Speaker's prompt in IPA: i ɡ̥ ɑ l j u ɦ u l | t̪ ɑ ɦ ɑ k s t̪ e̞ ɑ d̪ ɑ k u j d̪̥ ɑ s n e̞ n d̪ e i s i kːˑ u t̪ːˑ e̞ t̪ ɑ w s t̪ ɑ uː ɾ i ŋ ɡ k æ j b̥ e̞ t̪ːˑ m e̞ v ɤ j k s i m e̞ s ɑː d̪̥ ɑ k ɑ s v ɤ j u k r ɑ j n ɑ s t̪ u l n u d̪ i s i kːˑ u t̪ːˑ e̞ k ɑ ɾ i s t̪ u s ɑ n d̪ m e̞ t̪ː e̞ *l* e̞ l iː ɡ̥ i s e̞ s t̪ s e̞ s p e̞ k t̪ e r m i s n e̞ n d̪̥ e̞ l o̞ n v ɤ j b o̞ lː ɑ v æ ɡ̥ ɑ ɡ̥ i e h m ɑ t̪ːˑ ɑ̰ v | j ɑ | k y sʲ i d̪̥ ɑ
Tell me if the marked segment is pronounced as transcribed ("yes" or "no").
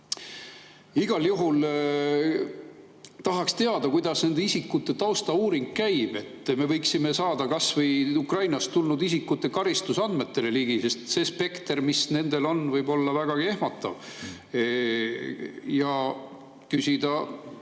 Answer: yes